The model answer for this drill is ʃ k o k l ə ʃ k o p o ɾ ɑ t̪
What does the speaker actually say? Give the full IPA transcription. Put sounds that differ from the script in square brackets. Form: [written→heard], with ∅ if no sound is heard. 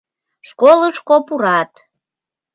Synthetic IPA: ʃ k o [k→∅] l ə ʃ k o p [o→u] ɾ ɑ t̪